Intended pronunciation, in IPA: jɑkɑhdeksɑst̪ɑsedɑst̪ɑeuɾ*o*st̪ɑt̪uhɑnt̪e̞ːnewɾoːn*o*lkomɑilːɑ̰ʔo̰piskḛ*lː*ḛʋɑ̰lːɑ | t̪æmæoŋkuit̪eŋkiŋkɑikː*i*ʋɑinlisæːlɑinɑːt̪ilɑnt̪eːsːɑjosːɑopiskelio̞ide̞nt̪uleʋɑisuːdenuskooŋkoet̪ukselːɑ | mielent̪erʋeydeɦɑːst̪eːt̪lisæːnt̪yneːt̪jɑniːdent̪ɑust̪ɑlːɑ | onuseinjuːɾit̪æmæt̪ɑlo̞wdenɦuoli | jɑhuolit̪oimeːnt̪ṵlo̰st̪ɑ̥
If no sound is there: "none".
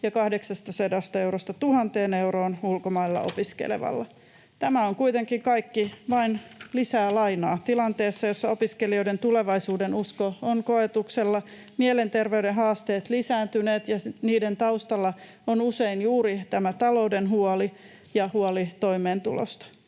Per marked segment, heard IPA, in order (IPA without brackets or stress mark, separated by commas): o, u, l, i